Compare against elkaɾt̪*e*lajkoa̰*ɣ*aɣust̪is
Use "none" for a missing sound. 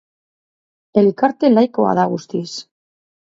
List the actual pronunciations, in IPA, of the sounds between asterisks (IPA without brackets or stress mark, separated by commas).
e, ð